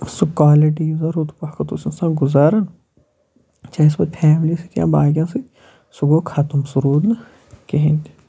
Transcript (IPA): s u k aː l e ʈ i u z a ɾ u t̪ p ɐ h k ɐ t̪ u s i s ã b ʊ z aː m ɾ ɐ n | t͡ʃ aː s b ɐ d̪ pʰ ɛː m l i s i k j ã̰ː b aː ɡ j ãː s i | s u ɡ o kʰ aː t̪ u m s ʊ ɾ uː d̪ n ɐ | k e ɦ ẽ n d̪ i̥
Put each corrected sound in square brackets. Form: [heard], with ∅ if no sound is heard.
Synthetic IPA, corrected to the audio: s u k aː l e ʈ i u z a ɾ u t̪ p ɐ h k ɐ t̪ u s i s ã [ɡ] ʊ z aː [∅] ɾ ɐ n | t͡ʃ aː s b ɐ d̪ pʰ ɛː m l i s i k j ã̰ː b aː ɡ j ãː s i | s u ɡ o kʰ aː t̪ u m s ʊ ɾ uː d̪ n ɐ | k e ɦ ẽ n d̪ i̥